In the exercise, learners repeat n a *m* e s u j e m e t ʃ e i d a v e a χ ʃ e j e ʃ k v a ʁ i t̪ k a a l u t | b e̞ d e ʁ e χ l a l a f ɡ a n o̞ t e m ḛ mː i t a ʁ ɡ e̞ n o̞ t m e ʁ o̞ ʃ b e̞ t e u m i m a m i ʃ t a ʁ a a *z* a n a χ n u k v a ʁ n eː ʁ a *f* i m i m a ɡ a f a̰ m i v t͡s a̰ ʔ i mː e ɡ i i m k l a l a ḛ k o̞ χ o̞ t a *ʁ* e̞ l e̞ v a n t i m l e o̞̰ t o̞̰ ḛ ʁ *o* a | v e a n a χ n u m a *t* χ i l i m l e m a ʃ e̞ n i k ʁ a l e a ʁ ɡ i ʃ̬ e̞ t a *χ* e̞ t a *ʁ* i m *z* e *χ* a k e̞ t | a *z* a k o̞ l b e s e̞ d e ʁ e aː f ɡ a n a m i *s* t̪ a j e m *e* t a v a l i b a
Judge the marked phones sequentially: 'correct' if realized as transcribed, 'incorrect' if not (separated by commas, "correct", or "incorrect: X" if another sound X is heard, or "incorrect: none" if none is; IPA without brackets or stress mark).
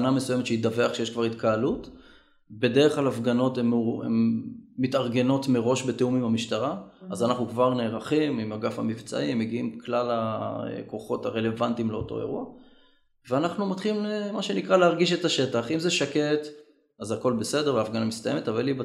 correct, correct, incorrect: χ, correct, incorrect: u, correct, incorrect: ʃ, incorrect: χ, correct, incorrect: ʃ, correct, correct, correct